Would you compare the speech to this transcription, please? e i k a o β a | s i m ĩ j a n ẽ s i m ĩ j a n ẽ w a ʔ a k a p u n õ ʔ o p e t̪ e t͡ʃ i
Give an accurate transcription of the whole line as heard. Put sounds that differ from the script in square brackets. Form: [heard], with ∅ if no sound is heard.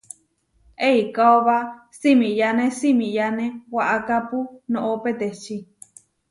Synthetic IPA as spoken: e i k a o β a | s i m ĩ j a n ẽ s i m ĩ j a n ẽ w a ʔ a k a p u n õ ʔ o p e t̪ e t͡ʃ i